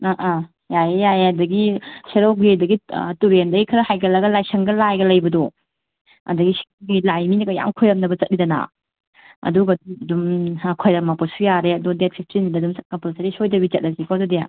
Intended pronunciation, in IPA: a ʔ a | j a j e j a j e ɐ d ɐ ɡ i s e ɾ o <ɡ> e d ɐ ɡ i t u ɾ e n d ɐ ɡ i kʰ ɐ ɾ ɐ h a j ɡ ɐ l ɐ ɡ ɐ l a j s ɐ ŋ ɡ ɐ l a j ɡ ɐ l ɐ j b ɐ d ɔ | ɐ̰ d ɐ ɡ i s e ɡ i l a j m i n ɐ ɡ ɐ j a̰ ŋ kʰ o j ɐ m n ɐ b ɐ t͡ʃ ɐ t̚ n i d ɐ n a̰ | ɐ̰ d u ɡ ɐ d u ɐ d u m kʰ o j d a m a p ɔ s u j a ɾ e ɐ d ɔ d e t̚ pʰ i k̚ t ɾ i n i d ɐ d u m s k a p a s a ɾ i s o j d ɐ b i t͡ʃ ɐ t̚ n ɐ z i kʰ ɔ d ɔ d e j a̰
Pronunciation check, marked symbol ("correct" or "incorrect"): correct